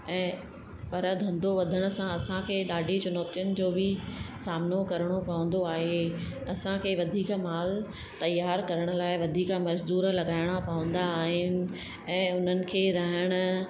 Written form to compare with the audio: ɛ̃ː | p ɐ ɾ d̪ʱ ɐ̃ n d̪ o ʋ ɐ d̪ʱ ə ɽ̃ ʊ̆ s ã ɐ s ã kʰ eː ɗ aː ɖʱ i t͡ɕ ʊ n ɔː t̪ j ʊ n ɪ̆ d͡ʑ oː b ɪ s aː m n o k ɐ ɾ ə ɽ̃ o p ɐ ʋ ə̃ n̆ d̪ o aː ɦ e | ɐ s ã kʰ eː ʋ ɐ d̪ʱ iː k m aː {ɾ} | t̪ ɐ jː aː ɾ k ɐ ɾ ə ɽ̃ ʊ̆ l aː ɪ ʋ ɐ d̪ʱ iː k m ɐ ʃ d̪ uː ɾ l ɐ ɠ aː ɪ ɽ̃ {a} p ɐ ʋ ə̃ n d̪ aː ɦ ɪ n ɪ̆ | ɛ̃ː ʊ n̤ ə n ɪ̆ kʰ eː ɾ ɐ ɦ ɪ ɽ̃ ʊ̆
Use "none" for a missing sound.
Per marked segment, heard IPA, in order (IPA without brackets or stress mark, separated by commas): l, a